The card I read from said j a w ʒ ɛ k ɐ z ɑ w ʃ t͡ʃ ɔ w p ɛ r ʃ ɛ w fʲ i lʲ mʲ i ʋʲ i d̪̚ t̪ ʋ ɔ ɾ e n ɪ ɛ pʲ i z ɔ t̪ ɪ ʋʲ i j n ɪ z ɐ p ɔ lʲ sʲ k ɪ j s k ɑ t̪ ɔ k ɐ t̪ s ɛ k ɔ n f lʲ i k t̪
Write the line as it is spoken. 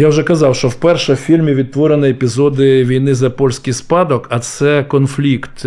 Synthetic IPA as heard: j a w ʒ ɛ k ɐ z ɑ w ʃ t͡ʃ ɔ w p ɛ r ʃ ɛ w fʲ i lʲ mʲ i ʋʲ i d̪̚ t̪ ʋ ɔ ɾ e n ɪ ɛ pʲ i z ɔ d̪ ɪ ʋʲ i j n ɪ z ɐ p ɔ lʲ sʲ k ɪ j s p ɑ d̪ ɔ k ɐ t̪ s ɛ k ɔ n f lʲ i k t̪